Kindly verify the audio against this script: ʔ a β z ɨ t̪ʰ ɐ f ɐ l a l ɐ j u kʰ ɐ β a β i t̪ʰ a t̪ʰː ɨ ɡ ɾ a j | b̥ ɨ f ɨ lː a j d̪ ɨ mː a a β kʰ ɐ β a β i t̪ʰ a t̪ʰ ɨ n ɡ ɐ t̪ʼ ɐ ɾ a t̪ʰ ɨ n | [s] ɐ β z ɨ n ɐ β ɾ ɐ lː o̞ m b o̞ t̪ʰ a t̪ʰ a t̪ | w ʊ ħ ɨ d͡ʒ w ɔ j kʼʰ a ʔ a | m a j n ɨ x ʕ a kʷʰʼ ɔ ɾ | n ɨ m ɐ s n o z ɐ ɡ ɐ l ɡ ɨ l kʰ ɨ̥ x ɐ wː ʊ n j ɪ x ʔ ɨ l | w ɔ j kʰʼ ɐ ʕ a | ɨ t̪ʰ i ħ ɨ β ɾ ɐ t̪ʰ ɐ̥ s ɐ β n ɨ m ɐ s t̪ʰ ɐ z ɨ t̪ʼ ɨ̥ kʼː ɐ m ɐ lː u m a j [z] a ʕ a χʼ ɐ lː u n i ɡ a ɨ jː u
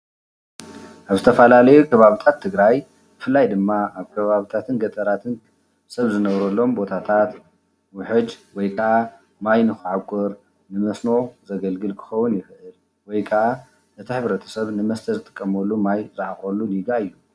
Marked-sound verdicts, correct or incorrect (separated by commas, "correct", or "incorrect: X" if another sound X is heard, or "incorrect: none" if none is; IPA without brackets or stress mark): correct, correct